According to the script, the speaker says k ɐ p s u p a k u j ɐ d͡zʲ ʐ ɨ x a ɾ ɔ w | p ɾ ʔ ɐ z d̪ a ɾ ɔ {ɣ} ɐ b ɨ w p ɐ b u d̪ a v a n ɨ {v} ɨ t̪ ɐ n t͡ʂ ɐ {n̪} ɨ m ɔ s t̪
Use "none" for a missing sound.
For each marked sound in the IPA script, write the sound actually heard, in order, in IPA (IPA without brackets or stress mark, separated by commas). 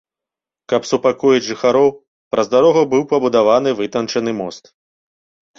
ɣ, v, n̪